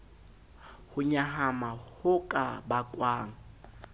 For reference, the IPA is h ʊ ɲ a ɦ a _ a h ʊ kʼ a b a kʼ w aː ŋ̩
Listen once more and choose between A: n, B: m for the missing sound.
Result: B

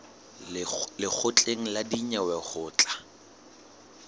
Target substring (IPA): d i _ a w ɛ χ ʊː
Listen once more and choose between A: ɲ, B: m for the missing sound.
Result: A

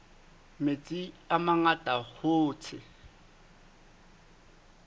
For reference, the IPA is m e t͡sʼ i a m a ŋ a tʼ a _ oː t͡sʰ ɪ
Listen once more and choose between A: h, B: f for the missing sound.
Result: A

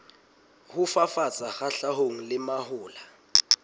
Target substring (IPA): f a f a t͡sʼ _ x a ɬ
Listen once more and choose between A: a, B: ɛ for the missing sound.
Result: A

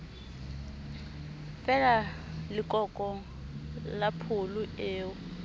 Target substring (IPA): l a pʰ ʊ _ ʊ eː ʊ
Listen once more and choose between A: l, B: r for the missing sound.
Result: A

